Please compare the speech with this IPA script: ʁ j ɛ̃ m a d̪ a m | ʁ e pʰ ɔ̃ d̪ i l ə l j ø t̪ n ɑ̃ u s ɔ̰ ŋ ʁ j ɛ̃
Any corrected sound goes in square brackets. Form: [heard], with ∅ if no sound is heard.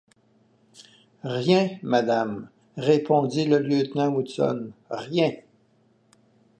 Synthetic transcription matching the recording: ʁ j ɛ̃ m a d̪ a m | ʁ e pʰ ɔ̃ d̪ i l ə l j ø t̪ n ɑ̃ u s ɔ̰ [n] ʁ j ɛ̃

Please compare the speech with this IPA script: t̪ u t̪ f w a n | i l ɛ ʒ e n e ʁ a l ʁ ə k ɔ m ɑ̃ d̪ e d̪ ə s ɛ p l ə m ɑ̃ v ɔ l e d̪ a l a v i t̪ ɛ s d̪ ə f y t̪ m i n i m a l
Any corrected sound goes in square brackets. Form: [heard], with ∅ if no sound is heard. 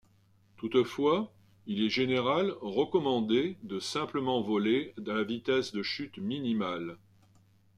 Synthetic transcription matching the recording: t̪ u t̪ f w a [∅] | i l ɛ ʒ e n e ʁ a l ʁ ə k ɔ m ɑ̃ d̪ e d̪ ə s [ɛ̃] p l ə m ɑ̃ v ɔ l e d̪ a l a v i t̪ ɛ s d̪ ə [ʃ] y t̪ m i n i m a l

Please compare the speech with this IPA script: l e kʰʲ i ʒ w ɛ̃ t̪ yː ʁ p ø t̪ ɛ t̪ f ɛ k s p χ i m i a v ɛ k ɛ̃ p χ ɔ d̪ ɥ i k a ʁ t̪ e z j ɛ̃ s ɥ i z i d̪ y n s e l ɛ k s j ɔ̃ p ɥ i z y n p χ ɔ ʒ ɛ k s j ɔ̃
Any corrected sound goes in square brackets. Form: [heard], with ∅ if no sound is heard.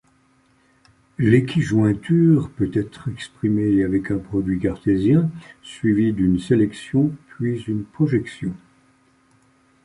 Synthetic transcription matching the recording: l e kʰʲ i ʒ w ɛ̃ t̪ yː ʁ p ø t̪ ɛ t̪ [χ] ɛ k s p χ i m [e] a v ɛ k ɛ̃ p χ ɔ d̪ ɥ i k a ʁ t̪ e z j ɛ̃ s ɥ i [v] i d̪ y n s e l ɛ k s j ɔ̃ p ɥ i z y n p χ ɔ ʒ ɛ k s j ɔ̃

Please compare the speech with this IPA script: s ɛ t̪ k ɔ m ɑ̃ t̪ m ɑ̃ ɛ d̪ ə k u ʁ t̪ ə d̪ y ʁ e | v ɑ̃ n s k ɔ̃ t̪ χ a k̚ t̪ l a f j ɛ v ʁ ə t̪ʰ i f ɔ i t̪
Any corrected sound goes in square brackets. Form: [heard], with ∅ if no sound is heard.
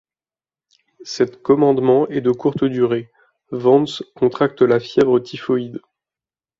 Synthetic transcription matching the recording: s ɛ t̪ k ɔ m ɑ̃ [d̪] m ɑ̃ ɛ d̪ ə k u ʁ t̪ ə d̪ y ʁ e | v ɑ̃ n s k ɔ̃ t̪ χ a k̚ t̪ l a f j ɛ v ʁ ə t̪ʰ i f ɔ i [d̪]

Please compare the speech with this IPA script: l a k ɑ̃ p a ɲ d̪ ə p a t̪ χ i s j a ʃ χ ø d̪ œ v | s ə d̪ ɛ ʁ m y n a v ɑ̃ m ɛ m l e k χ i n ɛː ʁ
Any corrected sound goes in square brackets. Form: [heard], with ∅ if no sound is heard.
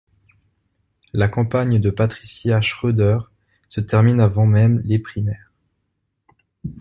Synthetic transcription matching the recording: l a k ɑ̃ p a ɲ d̪ ə p a t̪ χ i s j a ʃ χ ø d̪ œ [ʁ] | s ə [t̪] ɛ ʁ m [i] n a v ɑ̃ m ɛ m l e [p] χ i [m] ɛː ʁ

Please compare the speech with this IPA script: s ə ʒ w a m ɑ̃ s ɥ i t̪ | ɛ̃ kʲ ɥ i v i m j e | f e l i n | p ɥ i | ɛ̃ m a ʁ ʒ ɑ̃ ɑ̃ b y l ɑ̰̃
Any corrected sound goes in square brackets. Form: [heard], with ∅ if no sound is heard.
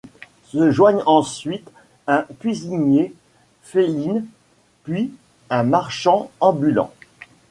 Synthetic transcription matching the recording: s ə ʒ w a [ɲ] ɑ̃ s ɥ i t̪ | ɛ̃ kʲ ɥ i [z] i [ɲ] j e | f e l i n | p ɥ i | ɛ̃ m a ʁ [ʃ] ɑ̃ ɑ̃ b y l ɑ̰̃

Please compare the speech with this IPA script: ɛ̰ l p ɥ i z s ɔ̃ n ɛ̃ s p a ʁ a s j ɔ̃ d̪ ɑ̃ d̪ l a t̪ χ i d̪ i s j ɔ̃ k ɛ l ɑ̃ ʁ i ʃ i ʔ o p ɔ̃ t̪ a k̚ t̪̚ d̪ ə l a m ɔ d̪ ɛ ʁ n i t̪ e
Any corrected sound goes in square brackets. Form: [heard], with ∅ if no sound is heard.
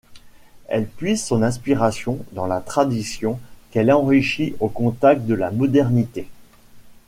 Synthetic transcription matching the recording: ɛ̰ l p ɥ i z s ɔ̃ n ɛ̃ s p [i] ʁ a s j ɔ̃ d̪ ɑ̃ [∅] l a t̪ χ [a] d̪ i s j ɔ̃ k ɛ l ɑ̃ ʁ i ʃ i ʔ o [k] ɔ̃ t̪ a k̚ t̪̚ d̪ ə l a m ɔ d̪ ɛ ʁ n i t̪ e

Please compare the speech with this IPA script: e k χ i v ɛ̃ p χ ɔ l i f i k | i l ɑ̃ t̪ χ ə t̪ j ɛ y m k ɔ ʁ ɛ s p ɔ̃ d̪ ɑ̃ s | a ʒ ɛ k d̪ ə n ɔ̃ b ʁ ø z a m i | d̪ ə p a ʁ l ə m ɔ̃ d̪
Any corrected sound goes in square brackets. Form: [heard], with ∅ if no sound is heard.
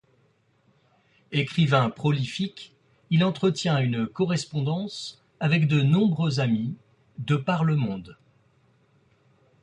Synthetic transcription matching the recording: e k χ i v ɛ̃ p χ ɔ l i f i k | i l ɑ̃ t̪ χ ə t̪ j [ɛ̃] y [n] k ɔ ʁ ɛ s p ɔ̃ d̪ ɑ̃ s | a [v] ɛ k d̪ ə n ɔ̃ b ʁ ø z a m i | d̪ ə p a ʁ l ə m ɔ̃ d̪

